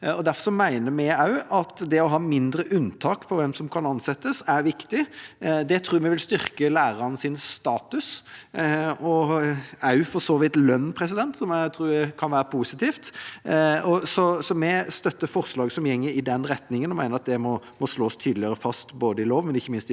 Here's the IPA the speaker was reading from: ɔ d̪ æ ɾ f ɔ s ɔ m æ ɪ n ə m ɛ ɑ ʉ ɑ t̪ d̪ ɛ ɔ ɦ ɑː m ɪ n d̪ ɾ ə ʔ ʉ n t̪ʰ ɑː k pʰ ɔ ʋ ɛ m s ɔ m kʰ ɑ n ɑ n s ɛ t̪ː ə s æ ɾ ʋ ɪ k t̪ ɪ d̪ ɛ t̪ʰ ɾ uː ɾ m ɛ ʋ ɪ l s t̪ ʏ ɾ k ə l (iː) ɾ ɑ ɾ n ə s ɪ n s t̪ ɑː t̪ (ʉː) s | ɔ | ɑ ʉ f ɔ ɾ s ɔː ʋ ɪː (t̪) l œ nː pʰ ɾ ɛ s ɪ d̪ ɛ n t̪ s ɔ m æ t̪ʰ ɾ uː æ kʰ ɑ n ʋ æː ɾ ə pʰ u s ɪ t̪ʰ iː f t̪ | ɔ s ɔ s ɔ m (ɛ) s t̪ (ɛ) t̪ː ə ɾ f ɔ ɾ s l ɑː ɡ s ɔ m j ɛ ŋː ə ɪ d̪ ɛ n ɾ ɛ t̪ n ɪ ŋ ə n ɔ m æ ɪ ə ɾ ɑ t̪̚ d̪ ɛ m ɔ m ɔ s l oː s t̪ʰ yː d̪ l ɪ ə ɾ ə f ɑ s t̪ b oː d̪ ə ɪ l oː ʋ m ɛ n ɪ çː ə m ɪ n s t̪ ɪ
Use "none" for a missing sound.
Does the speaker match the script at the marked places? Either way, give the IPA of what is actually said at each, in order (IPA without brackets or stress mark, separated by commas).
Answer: æː, ʉ, t̪, ɛ, œ